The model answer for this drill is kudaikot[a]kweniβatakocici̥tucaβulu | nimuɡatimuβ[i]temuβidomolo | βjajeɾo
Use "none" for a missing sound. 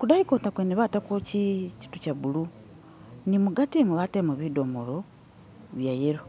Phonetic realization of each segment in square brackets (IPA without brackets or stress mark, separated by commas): a, a